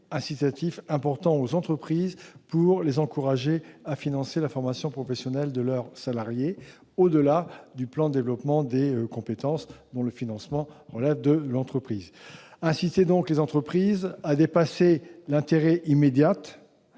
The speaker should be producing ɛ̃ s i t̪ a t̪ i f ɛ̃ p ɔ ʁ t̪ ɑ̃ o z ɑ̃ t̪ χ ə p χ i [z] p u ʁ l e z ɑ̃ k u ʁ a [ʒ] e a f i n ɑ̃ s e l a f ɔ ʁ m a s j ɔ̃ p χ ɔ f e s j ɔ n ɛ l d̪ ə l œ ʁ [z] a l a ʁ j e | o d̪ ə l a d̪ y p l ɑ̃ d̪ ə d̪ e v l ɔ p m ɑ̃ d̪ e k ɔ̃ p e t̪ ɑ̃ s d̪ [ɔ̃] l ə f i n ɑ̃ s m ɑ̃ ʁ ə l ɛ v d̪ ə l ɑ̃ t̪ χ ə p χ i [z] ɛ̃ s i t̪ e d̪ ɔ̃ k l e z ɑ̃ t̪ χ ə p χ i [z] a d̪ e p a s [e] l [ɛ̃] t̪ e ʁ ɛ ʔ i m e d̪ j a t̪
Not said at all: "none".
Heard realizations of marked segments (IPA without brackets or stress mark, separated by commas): z, ʒ, s, ɔ̃, z, z, e, ɛ̃